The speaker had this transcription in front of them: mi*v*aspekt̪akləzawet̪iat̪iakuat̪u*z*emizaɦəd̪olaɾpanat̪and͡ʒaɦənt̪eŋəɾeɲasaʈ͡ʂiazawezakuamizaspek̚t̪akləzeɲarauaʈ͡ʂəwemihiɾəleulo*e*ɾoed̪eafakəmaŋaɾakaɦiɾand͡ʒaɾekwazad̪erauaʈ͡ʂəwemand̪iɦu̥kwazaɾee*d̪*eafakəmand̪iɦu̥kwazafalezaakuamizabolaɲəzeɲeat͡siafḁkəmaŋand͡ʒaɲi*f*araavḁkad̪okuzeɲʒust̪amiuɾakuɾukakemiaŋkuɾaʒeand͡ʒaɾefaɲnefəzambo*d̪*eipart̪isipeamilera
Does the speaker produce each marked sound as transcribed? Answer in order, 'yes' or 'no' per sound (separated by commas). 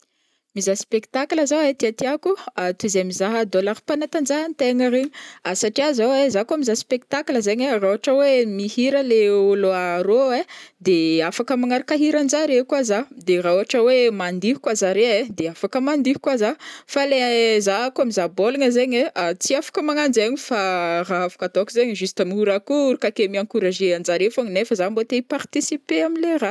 no, yes, no, yes, yes, no